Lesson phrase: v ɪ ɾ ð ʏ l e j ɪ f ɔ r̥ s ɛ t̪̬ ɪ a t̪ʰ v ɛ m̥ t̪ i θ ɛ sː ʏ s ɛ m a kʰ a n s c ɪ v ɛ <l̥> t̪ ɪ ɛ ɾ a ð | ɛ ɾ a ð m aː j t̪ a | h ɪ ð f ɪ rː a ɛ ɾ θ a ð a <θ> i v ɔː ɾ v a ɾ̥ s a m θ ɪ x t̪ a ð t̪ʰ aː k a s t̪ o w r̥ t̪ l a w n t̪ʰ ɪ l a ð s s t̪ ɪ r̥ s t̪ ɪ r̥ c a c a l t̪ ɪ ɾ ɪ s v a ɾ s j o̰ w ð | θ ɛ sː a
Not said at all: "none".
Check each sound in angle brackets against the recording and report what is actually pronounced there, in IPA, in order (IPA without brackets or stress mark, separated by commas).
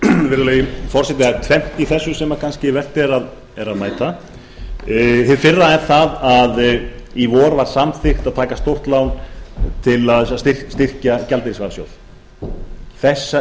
r̥, ð